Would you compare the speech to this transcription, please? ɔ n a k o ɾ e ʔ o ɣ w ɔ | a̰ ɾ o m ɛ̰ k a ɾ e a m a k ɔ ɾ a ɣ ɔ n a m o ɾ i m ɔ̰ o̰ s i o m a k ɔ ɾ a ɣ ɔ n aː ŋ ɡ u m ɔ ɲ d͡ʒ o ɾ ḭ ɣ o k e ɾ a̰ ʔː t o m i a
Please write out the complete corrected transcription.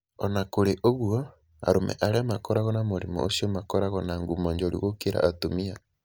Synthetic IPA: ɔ n a k o ɾ e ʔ o ɣ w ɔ | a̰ ɾ o m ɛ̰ ʔ a ɾ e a m a k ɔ ɾ a ɣ ɔ n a m o ɾ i m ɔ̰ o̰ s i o m a k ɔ ɾ a ɣ ɔ n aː ŋ ɡ u m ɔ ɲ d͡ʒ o ɾ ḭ ɣ o k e ɾ a̰ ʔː t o m i a